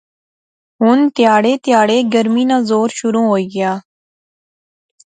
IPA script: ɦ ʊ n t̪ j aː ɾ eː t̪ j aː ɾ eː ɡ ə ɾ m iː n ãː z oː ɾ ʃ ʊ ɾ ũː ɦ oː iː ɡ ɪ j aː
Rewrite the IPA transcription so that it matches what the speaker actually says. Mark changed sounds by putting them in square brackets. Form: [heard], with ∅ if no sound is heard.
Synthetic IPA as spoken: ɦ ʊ n t̪ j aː [ɽ] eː t̪ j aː [ɽ] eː ɡ ə ɾ m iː n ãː z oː ɾ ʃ ʊ ɾ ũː ɦ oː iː ɡ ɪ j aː